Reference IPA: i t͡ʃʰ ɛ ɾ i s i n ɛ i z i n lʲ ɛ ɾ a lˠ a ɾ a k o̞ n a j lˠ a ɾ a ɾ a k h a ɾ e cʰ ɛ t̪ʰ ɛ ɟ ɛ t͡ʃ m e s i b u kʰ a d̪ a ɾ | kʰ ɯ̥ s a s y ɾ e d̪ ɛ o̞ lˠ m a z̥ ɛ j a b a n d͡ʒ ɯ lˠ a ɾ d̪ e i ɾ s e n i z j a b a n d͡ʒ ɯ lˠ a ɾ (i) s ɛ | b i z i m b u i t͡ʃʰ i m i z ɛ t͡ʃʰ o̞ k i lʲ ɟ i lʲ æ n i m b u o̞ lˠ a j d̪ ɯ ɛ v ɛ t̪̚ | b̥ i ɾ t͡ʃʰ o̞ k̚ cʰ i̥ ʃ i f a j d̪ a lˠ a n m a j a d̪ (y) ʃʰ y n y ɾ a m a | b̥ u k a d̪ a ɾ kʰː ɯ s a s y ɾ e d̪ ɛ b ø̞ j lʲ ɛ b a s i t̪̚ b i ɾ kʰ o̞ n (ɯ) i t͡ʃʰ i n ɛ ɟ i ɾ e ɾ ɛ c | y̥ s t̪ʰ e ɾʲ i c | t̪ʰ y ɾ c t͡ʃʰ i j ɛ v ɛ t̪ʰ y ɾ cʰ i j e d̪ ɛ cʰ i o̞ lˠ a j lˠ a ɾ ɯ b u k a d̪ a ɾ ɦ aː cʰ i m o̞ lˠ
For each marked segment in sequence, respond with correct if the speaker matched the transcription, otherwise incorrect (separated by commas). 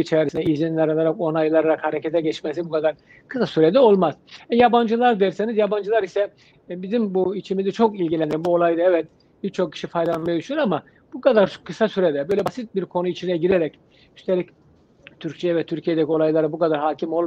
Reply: correct, correct, incorrect